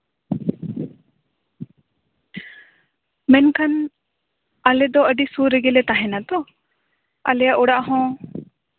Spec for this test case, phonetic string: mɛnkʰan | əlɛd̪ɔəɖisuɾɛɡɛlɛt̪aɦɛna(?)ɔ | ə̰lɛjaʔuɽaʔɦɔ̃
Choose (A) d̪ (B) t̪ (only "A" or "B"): B